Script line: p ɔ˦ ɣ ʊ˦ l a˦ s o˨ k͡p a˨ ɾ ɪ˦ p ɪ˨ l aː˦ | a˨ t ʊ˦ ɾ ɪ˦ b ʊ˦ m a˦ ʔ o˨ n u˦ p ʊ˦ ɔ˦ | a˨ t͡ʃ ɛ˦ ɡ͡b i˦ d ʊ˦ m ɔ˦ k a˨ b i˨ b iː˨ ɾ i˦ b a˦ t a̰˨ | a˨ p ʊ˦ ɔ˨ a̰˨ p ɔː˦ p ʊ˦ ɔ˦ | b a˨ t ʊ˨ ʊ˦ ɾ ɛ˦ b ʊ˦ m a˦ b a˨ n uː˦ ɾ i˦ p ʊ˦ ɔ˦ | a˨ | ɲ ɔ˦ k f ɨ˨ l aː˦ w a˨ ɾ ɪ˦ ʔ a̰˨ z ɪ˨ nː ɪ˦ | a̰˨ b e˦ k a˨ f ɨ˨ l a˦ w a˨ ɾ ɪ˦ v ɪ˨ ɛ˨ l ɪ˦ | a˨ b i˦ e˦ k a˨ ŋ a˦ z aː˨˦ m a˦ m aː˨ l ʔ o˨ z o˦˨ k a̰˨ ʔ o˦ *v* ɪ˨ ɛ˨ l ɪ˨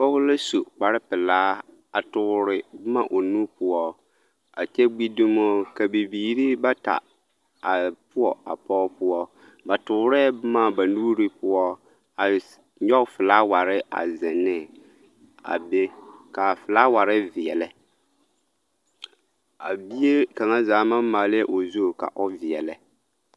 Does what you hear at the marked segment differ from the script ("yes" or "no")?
no